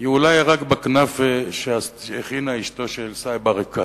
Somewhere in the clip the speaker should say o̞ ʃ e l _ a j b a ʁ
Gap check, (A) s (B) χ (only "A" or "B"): A